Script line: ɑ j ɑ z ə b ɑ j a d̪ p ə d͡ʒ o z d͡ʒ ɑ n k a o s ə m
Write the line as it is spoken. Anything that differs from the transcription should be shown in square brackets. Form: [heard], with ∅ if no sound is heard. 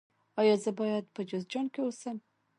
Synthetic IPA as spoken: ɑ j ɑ z ə b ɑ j a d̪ p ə d͡ʒ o z d͡ʒ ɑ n k [e] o s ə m